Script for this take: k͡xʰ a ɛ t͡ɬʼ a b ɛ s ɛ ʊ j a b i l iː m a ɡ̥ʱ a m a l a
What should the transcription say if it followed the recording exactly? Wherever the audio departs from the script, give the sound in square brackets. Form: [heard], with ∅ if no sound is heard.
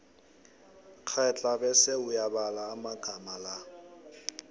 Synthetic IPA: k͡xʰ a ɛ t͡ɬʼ a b ɛ s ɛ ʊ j a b [a] l [aː] m a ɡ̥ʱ a m a l a